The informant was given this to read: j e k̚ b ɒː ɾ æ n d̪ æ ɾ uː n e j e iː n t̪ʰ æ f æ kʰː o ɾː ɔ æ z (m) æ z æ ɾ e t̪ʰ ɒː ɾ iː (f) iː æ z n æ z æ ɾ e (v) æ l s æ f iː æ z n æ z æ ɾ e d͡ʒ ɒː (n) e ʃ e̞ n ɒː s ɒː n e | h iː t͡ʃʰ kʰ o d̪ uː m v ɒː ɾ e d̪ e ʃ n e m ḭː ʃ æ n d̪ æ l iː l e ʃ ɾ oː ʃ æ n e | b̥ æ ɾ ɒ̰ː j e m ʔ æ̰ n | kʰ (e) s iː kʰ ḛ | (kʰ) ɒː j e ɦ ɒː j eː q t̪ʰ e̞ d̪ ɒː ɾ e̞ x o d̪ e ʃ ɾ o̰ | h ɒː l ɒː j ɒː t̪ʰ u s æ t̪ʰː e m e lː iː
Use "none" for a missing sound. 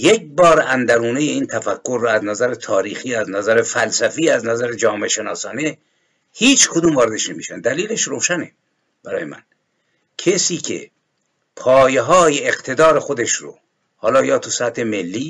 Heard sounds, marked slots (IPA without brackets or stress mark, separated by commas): n, x, f, m, e, pʰ